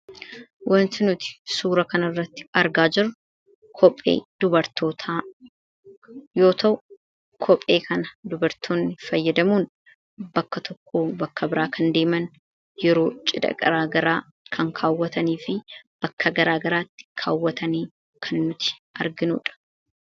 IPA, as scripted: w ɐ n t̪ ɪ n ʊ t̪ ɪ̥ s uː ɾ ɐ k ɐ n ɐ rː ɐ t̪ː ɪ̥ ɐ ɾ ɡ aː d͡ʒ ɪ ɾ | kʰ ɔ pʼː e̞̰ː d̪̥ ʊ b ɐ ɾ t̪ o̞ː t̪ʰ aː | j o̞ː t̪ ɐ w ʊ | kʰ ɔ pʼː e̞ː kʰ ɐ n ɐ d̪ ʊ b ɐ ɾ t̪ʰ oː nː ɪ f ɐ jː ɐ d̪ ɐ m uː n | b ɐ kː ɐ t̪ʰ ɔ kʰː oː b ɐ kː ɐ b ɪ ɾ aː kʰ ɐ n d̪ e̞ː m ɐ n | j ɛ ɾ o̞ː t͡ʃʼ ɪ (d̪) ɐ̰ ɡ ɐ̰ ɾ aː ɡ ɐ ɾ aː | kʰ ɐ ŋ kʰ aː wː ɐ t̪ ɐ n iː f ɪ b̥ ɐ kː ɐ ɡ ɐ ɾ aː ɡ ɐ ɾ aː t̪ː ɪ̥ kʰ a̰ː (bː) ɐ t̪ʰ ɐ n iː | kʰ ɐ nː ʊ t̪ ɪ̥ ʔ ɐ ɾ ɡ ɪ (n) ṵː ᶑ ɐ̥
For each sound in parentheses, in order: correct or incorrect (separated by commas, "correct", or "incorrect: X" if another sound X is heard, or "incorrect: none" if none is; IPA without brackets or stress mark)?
correct, incorrect: wː, correct